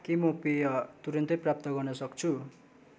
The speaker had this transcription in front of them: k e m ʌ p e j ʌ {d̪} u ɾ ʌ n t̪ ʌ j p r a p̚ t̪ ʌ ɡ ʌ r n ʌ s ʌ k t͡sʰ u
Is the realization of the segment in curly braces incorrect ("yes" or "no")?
yes